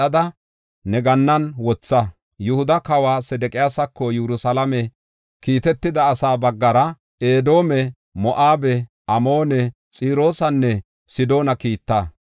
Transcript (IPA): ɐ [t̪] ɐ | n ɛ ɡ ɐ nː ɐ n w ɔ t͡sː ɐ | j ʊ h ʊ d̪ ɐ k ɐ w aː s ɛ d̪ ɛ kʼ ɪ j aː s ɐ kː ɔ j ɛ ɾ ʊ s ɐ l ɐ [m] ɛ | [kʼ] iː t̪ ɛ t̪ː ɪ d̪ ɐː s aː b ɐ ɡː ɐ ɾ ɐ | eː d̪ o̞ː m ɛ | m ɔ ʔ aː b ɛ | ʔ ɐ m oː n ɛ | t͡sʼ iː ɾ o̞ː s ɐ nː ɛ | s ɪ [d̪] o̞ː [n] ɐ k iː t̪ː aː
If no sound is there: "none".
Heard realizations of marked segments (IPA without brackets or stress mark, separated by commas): d̪, m, k, d̪, n